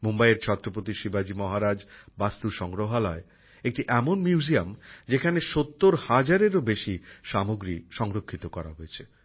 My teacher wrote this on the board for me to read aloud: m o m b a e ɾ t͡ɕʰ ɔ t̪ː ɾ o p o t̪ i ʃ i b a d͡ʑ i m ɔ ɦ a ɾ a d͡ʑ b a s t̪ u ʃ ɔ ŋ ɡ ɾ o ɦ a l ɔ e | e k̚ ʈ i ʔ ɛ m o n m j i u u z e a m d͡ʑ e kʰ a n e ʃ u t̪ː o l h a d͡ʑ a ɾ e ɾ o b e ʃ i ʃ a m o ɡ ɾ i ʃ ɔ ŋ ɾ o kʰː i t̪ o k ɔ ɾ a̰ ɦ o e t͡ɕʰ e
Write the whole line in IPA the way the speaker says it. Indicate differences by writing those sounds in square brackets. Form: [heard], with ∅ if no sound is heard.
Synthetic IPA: m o m b a e ɾ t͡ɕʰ ɔ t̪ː ɾ o p o t̪ i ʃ i b a d͡ʑ i m ɔ ɦ a ɾ a d͡ʑ b a s t̪ u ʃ ɔ ŋ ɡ ɾ o ɦ a l ɔ e | e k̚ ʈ i ʔ ɛ m o n m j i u u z [i] a m d͡ʑ e kʰ a n e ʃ [o] t̪ː o [ɾ] h a d͡ʑ a ɾ e ɾ o b e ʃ i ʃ a m o ɡ ɾ i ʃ ɔ ŋ ɾ o kʰː i t̪ o k ɔ ɾ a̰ ɦ o e t͡ɕʰ e